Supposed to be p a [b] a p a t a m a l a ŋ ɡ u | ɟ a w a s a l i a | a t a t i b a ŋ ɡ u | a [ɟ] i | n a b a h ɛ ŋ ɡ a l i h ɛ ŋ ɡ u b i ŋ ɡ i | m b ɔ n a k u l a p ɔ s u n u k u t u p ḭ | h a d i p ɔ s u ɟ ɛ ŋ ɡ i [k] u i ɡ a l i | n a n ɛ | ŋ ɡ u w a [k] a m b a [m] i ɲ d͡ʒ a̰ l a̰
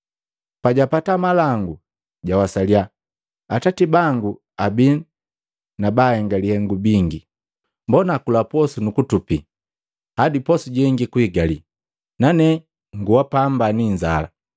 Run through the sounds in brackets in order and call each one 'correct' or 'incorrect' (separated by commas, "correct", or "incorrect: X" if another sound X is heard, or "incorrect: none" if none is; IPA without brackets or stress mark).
incorrect: ɟ, incorrect: b, correct, incorrect: p, incorrect: n